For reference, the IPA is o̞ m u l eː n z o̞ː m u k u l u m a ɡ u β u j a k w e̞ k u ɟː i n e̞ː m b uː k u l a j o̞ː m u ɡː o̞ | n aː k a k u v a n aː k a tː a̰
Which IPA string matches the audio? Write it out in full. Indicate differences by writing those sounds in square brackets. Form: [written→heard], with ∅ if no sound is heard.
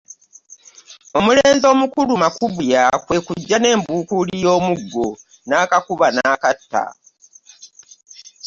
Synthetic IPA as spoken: o̞ m u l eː n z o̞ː m u k u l u m a [ɡ→k] u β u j a k w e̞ k u ɟː [i→a] n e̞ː m b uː k u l [a→i] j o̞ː m u ɡː o̞ | n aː k a k u [v→β] a n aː k a tː a̰